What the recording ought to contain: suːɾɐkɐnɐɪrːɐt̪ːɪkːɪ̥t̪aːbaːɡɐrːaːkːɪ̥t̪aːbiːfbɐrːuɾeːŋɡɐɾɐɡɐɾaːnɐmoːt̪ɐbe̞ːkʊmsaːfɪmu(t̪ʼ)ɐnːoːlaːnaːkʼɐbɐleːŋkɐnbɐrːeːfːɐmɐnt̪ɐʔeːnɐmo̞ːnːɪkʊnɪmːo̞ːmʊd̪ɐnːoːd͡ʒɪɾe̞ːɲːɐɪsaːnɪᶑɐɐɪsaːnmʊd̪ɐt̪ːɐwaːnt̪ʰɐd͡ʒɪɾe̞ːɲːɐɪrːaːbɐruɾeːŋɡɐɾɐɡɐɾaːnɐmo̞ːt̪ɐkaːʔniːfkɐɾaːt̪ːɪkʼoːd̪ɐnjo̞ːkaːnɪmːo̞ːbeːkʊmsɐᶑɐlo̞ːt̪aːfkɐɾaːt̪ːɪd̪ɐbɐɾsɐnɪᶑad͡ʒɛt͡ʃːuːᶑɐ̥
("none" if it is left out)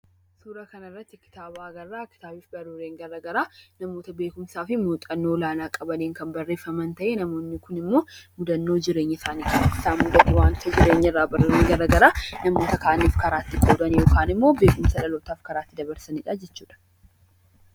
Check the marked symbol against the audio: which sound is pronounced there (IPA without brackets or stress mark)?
t̪ʼ